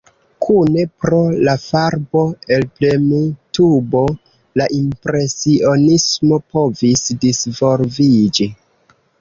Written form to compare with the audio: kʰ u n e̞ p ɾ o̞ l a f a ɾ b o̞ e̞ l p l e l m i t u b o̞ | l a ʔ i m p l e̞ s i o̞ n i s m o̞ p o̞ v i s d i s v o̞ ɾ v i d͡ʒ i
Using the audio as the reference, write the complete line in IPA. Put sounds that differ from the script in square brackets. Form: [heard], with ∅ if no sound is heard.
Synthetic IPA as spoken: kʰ u n e̞ p ɾ o̞ l a f a ɾ b o̞ e̞ l p l e [∅] m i t u b o̞ | l a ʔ i m p [ɾ] e̞ s i o̞ n i s m o̞ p o̞ v i s d i s v o̞ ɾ v i d͡ʒ i